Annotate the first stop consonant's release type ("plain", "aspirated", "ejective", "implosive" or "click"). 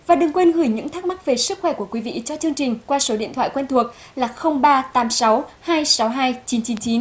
implosive